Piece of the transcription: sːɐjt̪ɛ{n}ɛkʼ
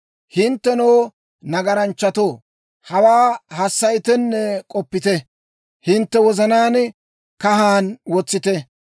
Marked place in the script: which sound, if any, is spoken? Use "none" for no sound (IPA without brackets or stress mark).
nː